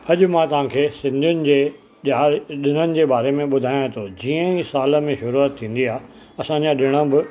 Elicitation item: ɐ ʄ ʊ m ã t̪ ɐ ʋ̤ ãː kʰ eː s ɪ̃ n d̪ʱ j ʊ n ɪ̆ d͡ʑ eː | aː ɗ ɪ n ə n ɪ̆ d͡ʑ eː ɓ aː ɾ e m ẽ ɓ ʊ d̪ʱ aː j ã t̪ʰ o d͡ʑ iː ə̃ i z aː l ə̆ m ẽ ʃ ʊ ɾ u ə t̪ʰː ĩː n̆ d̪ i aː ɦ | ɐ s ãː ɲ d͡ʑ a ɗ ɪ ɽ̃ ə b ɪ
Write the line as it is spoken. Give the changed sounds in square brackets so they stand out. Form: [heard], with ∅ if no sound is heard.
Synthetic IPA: ɐ ʄ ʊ m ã t̪ ɐ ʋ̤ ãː kʰ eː s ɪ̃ n d̪ʱ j ʊ n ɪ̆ d͡ʑ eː | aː ɗ ɪ n ə n ɪ̆ d͡ʑ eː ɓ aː ɾ e m ẽ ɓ ʊ d̪ʱ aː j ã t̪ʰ o d͡ʑ iː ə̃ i [s] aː l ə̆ m ẽ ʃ ʊ ɾ u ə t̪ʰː ĩː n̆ d̪ i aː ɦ | ɐ s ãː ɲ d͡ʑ a ɗ ɪ ɽ̃ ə b ɪ